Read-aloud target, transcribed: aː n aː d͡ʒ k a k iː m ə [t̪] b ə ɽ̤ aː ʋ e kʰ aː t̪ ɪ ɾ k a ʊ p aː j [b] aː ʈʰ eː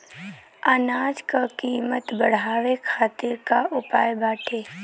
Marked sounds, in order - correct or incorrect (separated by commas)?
correct, correct